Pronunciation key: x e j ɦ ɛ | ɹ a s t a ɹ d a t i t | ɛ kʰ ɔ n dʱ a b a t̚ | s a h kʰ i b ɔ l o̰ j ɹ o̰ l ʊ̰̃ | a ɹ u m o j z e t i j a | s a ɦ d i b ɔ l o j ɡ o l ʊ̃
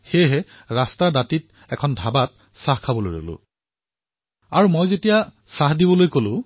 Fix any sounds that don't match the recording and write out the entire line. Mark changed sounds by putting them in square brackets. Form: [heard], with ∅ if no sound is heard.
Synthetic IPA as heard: x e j ɦ ɛ | ɹ a s t a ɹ d a t i t | ɛ kʰ ɔ n dʱ a b a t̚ | s a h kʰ [a] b ɔ l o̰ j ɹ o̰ l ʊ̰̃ | a ɹ u m o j z e t i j a | s a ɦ d i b ɔ l o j [k] o l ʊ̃